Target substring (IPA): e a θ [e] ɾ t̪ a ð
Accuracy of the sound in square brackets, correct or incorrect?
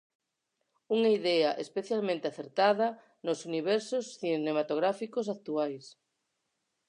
correct